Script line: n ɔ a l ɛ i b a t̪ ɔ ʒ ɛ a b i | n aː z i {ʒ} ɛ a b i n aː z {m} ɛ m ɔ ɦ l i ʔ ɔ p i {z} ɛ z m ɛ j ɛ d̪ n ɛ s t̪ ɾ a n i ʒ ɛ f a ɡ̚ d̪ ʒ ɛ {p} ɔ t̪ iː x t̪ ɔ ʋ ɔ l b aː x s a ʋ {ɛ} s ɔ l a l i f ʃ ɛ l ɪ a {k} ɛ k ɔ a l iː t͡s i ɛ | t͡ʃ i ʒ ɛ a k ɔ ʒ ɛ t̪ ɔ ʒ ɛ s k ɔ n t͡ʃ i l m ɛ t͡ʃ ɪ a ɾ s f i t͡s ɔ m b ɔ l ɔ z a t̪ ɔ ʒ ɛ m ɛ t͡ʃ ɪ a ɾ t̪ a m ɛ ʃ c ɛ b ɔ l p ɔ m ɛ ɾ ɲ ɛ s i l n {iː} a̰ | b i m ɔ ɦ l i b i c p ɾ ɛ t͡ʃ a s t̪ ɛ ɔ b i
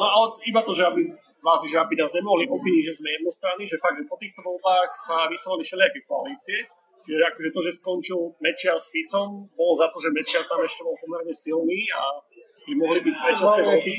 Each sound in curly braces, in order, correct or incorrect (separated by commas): correct, incorrect, incorrect, correct, incorrect, correct, correct